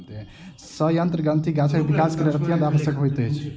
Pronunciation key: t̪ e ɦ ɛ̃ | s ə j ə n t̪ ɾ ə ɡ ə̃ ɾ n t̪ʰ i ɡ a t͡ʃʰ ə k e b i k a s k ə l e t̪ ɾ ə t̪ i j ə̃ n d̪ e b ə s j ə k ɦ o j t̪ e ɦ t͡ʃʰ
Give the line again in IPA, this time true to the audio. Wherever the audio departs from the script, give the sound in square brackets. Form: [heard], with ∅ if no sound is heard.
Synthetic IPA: t̪ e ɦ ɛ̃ | s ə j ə n t̪ ɾ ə ɡ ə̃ [∅] n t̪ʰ i ɡ a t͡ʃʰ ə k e b i k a s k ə [ɾ] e [∅] ɾ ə t̪ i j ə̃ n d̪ [a] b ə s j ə k ɦ o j t̪ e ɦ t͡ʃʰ